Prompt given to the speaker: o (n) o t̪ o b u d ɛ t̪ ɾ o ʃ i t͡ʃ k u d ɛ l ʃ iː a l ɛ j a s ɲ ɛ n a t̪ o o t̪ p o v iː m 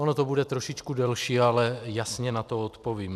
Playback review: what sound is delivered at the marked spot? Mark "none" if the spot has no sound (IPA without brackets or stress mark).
n